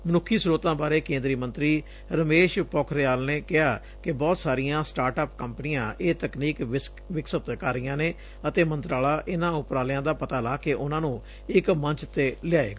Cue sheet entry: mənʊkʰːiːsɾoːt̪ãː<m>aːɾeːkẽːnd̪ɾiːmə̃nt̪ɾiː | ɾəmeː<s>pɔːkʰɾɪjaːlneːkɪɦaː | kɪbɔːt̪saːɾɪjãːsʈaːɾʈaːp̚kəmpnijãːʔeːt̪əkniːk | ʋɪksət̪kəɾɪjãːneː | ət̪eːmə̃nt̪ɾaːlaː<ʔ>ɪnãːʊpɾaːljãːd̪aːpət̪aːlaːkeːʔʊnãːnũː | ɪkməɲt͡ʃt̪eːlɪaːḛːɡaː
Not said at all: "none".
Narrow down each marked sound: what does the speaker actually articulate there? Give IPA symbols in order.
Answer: b, ʃ, ʔ

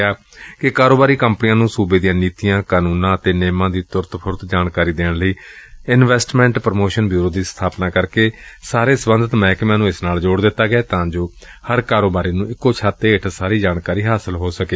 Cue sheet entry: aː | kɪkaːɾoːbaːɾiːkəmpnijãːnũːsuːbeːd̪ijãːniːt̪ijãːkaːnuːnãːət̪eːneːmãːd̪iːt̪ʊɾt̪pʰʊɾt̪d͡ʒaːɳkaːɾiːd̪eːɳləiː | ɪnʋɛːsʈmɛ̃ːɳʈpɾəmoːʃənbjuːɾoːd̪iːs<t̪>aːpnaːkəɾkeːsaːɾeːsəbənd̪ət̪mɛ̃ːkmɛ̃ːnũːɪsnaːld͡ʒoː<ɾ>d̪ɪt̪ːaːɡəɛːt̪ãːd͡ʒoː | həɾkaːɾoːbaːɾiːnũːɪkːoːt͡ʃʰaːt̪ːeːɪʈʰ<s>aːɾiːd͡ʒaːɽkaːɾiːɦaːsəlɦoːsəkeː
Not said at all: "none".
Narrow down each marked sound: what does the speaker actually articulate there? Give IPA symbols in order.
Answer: t̪ʰ, ɽ, s

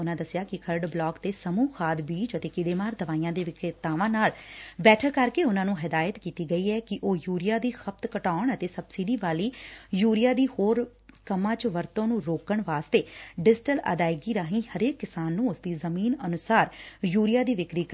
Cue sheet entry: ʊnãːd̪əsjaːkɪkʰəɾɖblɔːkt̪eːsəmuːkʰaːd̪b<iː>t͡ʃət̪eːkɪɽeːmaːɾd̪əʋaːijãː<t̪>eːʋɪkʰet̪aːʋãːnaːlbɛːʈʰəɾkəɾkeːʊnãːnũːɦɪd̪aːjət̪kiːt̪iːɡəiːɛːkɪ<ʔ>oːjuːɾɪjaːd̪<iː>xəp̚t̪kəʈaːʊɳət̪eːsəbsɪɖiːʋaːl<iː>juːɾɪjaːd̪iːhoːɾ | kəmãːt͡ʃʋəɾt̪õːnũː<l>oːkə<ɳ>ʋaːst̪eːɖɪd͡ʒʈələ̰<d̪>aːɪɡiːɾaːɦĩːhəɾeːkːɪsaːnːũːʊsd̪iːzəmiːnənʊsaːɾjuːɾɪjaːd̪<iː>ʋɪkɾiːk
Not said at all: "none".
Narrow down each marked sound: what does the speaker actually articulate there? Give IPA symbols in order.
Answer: iː, d̪, ʔ, iː, iː, ɾ, ɳ, d̪, iː

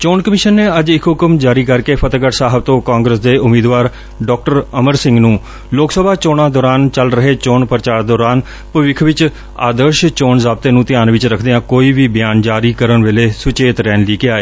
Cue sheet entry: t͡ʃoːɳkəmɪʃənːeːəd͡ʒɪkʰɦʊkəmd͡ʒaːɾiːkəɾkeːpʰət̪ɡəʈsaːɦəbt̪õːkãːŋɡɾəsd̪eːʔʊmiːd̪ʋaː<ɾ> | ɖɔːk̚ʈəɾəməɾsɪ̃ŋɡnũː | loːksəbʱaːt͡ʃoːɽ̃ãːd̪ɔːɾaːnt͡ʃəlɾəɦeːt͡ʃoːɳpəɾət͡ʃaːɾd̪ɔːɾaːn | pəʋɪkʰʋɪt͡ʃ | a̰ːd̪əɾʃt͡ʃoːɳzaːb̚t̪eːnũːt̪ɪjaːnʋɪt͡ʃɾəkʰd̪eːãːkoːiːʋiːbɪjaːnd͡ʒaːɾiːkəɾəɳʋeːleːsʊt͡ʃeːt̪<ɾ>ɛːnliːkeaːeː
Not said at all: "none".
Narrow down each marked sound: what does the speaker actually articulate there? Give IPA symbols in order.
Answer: ɾ, ɾ

